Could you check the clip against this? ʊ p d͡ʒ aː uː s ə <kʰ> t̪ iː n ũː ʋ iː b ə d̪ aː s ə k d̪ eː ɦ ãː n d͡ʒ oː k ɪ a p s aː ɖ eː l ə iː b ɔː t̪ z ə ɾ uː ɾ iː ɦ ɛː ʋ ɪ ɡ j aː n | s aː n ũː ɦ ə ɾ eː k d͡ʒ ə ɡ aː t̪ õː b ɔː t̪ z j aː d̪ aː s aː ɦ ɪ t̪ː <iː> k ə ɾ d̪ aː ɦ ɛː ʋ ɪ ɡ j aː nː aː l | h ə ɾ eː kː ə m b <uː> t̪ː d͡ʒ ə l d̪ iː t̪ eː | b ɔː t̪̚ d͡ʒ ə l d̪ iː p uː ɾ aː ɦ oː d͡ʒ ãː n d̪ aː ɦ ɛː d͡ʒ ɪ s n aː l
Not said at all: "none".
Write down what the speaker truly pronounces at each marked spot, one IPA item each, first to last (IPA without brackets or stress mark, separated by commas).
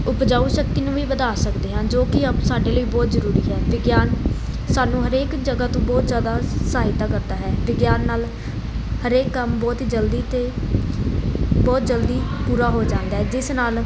k, aː, ɔː